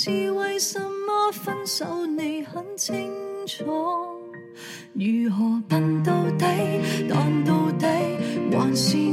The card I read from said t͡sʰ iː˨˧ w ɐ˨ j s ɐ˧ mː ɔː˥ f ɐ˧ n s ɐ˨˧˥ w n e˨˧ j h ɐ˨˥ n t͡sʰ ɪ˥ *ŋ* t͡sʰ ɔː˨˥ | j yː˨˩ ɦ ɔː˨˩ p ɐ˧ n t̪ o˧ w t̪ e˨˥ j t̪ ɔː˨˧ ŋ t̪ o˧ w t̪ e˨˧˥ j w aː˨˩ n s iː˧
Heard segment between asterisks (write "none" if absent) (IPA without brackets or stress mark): ŋ